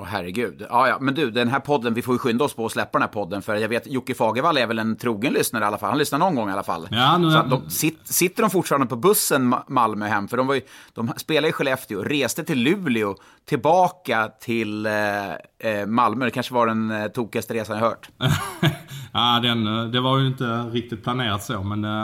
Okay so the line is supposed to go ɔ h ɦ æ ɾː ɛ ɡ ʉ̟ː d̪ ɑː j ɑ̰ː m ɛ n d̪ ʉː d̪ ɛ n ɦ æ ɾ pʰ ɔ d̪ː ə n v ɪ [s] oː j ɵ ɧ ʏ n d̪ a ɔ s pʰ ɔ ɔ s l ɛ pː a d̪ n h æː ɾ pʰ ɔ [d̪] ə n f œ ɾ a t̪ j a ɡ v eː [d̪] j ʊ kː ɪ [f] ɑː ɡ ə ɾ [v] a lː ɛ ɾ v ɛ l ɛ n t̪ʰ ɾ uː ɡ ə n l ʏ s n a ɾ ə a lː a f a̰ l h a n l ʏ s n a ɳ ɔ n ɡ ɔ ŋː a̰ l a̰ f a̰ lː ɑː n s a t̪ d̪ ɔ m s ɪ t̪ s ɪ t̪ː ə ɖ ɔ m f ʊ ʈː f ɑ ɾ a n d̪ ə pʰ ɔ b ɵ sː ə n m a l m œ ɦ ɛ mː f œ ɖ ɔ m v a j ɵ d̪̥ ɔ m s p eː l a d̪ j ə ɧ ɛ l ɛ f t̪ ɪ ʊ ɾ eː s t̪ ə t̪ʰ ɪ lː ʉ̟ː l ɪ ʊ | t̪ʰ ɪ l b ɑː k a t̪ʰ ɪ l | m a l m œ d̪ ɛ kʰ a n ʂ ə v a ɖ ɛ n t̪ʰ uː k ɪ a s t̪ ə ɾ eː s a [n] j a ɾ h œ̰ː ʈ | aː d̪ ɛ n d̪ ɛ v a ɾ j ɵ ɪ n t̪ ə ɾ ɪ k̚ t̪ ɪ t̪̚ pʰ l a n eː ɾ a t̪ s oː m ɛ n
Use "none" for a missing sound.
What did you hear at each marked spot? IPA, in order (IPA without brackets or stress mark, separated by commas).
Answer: f, d̪ː, t̪, f, v, n